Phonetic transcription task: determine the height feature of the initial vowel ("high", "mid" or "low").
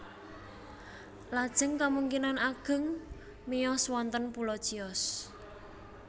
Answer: low